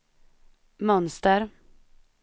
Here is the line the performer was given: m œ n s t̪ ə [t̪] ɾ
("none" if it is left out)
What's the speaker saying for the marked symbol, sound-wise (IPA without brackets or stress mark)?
none